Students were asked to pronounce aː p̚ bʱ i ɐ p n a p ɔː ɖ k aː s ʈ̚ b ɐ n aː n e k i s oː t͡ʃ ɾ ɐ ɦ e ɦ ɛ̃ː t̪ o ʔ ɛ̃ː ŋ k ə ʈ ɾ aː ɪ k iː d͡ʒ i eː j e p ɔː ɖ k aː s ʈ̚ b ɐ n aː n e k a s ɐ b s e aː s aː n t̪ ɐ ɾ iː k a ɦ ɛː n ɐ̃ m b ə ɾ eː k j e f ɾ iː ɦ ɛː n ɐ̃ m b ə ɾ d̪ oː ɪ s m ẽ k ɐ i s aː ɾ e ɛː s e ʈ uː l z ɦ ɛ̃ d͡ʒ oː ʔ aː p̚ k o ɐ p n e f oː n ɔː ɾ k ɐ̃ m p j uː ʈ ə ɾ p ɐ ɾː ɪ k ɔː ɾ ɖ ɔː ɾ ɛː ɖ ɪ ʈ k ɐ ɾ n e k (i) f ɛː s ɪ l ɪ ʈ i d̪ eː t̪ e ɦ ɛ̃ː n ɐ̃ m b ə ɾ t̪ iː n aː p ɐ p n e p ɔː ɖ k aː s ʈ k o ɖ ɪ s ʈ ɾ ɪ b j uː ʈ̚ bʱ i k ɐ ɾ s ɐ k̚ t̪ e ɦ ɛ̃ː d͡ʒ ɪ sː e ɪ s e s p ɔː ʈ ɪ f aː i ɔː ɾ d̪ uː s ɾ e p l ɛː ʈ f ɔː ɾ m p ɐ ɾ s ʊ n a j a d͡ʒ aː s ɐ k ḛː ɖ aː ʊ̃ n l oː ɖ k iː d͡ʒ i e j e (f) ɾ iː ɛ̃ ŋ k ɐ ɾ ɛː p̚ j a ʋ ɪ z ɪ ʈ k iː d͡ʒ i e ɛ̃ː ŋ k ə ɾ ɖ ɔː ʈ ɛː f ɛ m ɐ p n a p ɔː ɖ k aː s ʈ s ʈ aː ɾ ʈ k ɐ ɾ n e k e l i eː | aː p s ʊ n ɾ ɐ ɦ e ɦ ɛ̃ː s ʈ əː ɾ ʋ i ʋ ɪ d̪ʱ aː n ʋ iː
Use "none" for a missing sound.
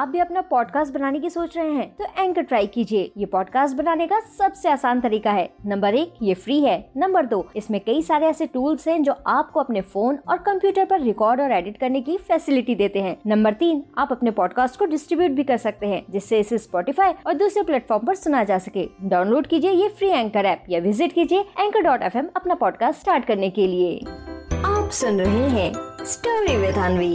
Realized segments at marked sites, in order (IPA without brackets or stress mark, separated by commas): i, f